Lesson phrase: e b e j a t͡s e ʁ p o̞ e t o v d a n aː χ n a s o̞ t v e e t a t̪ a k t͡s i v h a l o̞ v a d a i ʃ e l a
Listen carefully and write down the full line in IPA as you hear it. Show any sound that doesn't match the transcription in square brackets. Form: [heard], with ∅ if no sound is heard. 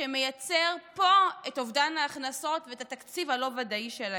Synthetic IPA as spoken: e [m] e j a t͡s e ʁ p o̞ e t o v d a n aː χ n a s o̞ t v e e t a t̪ a k t͡s i v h a l o̞ v a d a i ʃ e l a